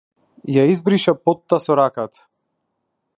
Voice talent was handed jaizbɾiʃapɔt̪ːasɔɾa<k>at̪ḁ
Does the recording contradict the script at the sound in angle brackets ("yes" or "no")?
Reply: no